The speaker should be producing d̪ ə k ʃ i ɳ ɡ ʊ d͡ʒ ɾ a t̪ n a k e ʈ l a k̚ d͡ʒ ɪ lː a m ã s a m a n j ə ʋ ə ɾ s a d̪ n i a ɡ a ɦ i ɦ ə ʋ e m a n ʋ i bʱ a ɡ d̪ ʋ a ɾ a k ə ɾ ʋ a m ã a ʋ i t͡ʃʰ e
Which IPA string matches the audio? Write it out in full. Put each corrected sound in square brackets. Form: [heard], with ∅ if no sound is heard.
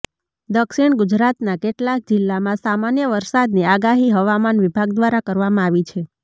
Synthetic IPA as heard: d̪ ə k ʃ i ɳ ɡ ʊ d͡ʒ ɾ a t̪ n a k e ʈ l a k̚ d͡ʒ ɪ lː a m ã s a m a n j ə ʋ ə ɾ s a d̪ n i a ɡ a ɦ i ɦ ə ʋ [a] m a n ʋ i bʱ a ɡ d̪ ʋ a ɾ a k ə ɾ ʋ a m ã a ʋ i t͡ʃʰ e